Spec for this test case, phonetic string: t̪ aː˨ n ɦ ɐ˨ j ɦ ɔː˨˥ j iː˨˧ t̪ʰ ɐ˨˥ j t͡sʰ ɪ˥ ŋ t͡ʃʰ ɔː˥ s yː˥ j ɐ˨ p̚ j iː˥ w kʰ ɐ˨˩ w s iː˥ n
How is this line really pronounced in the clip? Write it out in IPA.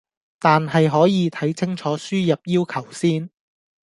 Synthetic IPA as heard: t̪ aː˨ n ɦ ɐ˨ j ɦ ɔː˨˥ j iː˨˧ t̪ʰ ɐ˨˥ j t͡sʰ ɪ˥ ŋ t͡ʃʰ ɔː˨˥ s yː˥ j ɐ˨ p̚ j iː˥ w kʰ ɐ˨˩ w s iː˥ n